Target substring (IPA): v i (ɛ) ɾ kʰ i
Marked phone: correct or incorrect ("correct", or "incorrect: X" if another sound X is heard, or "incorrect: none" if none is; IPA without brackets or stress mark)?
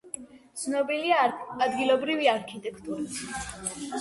incorrect: a